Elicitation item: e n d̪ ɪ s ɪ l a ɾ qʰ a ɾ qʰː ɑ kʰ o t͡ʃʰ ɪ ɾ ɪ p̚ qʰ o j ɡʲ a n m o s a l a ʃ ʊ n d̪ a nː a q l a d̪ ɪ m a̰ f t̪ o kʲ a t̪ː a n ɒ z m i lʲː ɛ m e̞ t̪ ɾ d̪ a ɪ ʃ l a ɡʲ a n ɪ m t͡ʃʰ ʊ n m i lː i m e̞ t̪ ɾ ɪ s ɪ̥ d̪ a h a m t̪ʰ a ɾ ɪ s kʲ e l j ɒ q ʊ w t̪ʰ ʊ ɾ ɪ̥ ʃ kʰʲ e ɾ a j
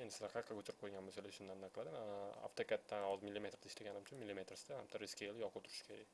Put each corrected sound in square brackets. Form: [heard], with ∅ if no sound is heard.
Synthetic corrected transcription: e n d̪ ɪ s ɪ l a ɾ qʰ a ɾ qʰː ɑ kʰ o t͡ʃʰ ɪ ɾ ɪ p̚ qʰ o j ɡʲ a n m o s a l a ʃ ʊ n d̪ a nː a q l a d̪ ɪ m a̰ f t̪ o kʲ a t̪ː a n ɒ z m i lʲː [i] m e̞ t̪ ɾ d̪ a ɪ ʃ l a ɡʲ a n ɪ m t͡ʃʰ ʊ n m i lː i m e̞ t̪ ɾ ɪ s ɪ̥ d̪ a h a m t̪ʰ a ɾ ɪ s kʲ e l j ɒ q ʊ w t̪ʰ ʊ ɾ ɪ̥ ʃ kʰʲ e ɾ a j